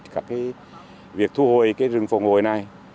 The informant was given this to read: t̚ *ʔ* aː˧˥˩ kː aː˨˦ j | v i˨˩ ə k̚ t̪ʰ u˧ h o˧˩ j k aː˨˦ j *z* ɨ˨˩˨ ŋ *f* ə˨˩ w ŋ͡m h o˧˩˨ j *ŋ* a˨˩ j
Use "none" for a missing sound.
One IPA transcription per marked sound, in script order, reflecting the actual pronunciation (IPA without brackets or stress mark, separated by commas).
k, z, f, n